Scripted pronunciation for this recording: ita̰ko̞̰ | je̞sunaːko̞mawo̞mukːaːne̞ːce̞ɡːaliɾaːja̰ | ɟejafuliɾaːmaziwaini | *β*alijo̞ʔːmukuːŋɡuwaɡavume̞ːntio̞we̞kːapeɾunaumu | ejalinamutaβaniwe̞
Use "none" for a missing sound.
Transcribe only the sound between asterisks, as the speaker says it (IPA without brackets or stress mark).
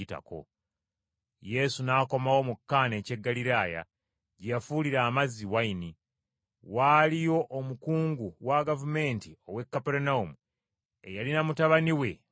w